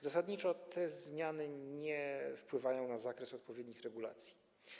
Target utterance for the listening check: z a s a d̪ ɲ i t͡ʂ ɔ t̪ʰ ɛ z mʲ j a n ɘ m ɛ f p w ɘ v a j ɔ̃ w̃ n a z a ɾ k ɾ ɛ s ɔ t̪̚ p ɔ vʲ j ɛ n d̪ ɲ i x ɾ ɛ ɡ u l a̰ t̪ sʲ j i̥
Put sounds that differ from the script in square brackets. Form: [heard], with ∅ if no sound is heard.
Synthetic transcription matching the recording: z a s a d̪ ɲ i t͡ʂ ɔ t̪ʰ ɛ z mʲ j a n ɘ [ɲ] ɛ f p w ɘ v a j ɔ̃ w̃ n a z a [∅] k ɾ ɛ s ɔ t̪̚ p ɔ vʲ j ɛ [∅] d̪ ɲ i x ɾ ɛ ɡ u l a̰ t̪ sʲ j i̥